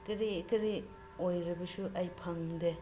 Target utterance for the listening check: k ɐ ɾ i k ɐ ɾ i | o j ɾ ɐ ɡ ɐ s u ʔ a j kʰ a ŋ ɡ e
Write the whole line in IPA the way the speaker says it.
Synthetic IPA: k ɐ ɾ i k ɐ ɾ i | o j ɾ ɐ b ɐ s u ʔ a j pʰ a ŋ d e